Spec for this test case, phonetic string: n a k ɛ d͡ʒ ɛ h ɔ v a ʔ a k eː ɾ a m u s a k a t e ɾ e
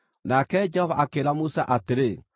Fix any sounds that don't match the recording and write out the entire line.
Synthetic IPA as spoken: n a k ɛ d͡ʒ ɛ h ɔ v a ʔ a k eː ɾ a m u s a ʔ a t e ɾ e